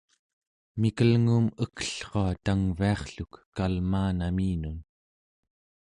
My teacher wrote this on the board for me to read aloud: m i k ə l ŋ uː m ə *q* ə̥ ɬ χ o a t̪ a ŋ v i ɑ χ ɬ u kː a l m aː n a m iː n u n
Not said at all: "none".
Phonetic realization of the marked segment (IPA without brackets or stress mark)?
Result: k